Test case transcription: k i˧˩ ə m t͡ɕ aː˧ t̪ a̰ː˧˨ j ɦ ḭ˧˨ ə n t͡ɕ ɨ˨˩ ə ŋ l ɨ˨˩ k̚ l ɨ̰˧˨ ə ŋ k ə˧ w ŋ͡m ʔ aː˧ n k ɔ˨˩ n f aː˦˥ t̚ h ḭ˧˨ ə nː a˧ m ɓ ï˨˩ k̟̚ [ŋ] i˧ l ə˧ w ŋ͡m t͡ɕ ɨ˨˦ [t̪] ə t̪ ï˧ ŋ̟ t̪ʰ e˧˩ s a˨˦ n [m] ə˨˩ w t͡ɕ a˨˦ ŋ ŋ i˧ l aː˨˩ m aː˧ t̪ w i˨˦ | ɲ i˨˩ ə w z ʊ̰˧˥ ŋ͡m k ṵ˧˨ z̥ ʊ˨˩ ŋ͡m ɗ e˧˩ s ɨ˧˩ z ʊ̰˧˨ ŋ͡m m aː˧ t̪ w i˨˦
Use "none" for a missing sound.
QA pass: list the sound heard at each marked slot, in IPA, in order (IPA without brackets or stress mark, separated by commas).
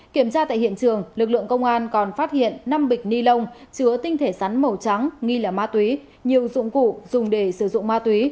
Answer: n, none, m